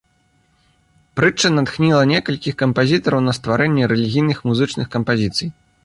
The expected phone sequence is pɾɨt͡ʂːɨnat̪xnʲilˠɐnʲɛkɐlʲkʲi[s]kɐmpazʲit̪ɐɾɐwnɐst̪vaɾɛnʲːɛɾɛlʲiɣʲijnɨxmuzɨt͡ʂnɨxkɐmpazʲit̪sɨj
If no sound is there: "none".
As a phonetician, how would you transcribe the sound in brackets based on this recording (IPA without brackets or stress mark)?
x